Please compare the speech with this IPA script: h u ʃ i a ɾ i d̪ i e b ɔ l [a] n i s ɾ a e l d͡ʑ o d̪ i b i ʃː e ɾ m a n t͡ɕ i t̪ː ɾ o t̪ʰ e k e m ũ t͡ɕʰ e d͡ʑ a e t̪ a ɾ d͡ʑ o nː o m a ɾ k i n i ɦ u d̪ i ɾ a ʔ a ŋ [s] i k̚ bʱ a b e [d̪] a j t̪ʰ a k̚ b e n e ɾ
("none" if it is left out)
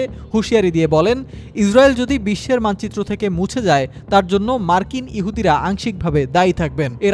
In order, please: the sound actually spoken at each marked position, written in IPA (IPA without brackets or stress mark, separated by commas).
e, ʃ, d̪